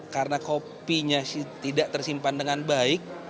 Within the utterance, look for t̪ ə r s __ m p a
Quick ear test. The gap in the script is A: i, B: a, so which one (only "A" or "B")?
A